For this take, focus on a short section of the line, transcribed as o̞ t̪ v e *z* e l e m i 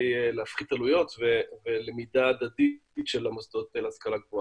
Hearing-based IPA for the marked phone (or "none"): v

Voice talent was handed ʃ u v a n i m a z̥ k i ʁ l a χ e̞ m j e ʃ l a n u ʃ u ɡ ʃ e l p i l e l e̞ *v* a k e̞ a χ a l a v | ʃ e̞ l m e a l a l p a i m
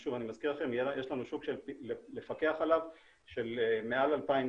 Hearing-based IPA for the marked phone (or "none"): f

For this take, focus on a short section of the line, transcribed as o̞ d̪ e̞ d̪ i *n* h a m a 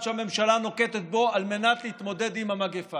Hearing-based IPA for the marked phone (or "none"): m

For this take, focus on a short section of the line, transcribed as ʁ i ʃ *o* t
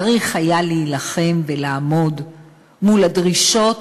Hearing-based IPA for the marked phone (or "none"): o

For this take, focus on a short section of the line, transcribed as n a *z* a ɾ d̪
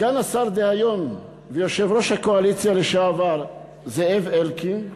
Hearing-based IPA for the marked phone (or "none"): s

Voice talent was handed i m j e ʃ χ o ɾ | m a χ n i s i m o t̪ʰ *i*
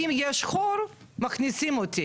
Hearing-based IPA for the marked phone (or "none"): i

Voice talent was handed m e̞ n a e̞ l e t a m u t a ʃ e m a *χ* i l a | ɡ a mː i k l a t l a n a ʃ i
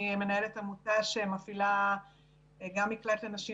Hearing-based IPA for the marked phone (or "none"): f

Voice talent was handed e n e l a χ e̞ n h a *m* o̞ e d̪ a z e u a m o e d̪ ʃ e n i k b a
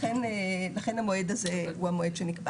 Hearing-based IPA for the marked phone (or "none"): m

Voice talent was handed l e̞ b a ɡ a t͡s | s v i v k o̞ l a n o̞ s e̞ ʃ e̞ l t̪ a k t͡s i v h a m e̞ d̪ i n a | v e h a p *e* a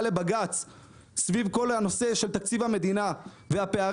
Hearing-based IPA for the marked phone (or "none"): e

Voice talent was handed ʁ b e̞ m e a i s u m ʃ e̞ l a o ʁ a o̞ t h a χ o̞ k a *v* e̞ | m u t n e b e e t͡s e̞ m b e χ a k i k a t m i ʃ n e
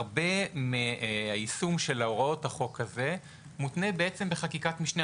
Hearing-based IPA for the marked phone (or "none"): z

